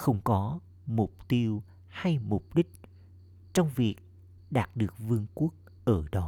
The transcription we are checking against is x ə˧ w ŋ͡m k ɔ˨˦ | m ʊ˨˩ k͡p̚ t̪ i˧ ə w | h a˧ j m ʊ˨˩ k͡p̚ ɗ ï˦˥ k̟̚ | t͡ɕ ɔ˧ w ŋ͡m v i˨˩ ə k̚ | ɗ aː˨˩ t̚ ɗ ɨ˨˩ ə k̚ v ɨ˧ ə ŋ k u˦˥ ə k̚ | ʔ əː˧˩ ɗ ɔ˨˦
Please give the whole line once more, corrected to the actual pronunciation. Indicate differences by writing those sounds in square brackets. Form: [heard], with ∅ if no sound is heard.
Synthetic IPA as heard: x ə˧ w ŋ͡m k ɔ˨˦ | m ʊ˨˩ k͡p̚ t̪ i˧ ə w | h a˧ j m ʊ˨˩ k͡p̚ ɗ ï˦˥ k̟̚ | t͡ɕ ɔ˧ w ŋ͡m v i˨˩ ə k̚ | ɗ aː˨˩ t̚ ɗ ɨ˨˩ ə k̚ v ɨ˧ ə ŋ k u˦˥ ə k̚ | ʔ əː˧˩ ɗ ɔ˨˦